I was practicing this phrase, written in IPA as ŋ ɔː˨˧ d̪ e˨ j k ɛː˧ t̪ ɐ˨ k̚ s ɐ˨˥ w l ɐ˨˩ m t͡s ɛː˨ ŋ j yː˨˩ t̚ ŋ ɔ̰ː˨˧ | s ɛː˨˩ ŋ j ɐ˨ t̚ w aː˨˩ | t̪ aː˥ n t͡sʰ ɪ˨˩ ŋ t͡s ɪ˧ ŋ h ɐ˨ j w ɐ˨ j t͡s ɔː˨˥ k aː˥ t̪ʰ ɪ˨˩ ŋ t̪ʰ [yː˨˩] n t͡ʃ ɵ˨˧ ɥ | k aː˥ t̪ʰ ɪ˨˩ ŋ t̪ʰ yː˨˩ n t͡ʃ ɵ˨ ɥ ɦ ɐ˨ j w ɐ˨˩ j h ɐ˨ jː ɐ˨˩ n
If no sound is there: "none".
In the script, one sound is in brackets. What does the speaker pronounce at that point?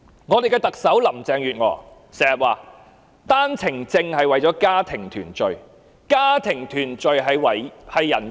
yː˨˩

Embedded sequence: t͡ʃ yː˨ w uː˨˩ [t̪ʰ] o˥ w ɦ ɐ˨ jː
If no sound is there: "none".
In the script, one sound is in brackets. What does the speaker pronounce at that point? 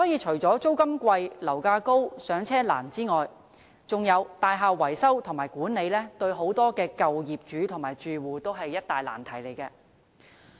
t̪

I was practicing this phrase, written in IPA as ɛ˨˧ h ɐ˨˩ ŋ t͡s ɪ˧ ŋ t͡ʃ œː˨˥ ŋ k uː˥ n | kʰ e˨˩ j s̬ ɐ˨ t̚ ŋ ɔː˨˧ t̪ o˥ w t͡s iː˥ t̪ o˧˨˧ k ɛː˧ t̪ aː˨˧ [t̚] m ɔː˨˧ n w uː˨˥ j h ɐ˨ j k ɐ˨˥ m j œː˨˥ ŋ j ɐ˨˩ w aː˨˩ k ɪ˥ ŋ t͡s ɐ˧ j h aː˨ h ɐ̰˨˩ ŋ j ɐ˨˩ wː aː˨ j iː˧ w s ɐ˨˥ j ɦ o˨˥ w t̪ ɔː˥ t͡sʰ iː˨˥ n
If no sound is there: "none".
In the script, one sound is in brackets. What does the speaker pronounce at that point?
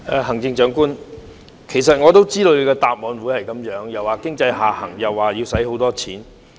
p̚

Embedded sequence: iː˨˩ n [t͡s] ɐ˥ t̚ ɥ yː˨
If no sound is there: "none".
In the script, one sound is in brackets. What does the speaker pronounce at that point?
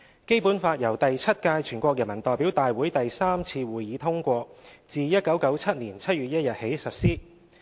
t͡sʰ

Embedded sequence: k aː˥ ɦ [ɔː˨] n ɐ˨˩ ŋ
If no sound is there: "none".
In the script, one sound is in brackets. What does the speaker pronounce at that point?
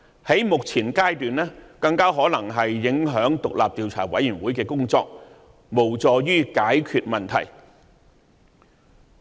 ɔː˨˥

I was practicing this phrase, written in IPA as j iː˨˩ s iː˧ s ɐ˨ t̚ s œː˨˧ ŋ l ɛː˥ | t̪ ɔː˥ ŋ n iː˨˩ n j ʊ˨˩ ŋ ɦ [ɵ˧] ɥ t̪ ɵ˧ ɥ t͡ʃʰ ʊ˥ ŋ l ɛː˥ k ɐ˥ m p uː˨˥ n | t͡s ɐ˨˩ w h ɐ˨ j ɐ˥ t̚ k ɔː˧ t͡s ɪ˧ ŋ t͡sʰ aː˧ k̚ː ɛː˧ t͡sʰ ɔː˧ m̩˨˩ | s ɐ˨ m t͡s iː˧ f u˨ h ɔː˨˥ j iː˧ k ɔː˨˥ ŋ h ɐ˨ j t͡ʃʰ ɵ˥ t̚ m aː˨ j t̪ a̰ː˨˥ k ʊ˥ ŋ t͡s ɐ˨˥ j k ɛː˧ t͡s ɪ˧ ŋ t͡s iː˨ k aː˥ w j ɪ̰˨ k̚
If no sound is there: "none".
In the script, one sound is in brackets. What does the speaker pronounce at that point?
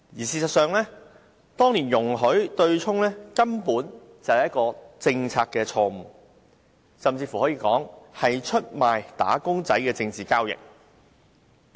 ɵ˨˥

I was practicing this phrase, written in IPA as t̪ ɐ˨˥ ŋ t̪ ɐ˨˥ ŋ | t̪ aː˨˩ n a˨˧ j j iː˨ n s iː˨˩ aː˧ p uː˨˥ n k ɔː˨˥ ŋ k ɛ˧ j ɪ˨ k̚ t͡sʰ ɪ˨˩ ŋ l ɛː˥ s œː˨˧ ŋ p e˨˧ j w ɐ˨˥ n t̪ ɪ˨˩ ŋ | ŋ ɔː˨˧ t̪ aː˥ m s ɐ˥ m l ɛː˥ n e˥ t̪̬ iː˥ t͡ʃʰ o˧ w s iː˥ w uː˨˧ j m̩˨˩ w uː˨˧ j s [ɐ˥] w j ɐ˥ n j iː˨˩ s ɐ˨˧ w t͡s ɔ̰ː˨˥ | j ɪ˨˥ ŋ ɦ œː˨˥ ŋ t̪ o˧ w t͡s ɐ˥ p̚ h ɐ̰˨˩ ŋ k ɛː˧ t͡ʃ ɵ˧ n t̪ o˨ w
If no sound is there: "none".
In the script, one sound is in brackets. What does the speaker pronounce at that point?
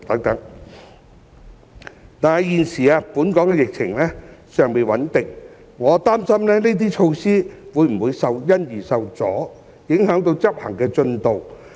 ɐ˨˧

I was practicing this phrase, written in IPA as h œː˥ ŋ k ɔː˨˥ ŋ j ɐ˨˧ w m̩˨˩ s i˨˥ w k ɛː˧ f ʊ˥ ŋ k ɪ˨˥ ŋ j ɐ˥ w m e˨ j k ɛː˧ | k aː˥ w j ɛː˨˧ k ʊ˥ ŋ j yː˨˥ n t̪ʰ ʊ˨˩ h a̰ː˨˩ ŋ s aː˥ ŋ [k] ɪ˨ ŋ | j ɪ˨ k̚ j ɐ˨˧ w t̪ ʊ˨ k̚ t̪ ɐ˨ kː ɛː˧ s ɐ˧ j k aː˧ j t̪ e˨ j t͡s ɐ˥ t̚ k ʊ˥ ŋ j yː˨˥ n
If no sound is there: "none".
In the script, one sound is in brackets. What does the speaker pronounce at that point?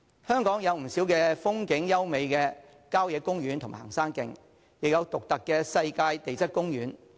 k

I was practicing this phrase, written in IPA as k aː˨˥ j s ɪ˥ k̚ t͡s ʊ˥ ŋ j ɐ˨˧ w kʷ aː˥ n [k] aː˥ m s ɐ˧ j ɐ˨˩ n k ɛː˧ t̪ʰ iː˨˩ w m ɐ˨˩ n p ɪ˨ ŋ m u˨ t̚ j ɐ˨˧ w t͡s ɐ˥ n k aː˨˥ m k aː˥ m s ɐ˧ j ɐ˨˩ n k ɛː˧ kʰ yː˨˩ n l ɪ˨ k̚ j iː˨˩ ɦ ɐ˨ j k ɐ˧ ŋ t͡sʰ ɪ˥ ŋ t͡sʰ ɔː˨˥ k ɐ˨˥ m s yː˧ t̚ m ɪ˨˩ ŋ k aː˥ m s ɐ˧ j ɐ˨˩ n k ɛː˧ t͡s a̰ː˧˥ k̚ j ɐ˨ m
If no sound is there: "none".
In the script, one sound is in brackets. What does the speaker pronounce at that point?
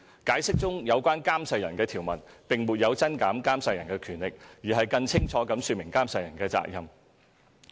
k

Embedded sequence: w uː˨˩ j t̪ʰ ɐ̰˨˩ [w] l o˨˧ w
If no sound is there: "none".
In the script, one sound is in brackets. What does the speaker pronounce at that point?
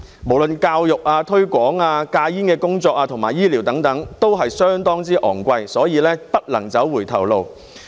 w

